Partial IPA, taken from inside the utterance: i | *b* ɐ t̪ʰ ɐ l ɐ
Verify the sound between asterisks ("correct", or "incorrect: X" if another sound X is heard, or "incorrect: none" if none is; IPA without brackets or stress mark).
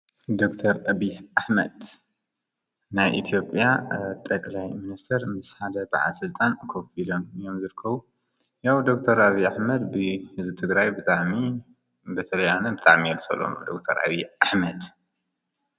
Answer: correct